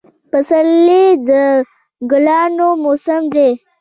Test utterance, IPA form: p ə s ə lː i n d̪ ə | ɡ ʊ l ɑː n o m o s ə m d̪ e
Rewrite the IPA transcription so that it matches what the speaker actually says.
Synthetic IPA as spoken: p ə s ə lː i d̪ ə | ɡ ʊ l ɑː n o m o s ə m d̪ e